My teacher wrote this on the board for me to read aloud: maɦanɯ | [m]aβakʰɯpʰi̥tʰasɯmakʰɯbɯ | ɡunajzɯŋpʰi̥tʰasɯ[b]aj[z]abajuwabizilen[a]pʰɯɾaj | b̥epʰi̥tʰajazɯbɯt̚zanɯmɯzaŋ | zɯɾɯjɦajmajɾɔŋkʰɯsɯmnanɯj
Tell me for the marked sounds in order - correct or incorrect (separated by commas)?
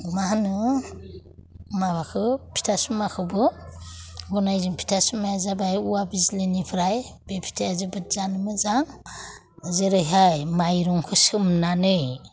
correct, incorrect, correct, incorrect